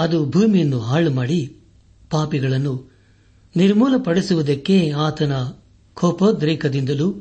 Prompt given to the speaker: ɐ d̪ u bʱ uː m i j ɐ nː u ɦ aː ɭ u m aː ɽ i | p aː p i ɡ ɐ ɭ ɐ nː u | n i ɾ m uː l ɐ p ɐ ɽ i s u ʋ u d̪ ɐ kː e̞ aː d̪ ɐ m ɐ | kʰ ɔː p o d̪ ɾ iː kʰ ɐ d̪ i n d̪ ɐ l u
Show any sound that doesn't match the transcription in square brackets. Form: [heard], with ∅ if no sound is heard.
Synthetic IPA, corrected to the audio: ɐ d̪ u bʱ uː m i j ɐ nː u ɦ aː ɭ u m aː ɽ i | p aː p i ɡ ɐ ɭ ɐ nː u | n i ɾ m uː l ɐ p ɐ ɽ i s u ʋ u d̪ ɐ kː e̞ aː [t̪] ɐ [n] ɐ | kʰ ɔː p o d̪ ɾ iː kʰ ɐ d̪ i n d̪ ɐ l u